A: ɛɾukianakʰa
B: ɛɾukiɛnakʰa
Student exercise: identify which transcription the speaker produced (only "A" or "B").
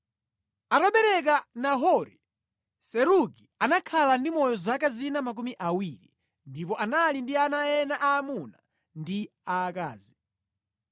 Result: A